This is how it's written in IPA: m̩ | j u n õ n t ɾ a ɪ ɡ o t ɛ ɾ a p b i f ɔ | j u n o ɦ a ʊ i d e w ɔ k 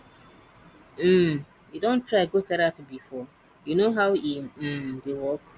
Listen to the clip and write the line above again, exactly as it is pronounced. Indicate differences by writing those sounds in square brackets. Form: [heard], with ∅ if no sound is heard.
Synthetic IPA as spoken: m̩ | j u [d] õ n t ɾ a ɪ ɡ o t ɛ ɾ a p b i f ɔ | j u n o ɦ a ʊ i d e w ɔ k